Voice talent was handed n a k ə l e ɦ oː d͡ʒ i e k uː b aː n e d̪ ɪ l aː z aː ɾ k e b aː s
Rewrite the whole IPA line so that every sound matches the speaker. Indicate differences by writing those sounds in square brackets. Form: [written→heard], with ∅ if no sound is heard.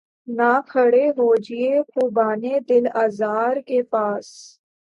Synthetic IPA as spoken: n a [k→kʰ] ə [l→ɽ] e ɦ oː d͡ʒ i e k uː b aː n e d̪ ɪ l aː z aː ɾ k e [b→p] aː s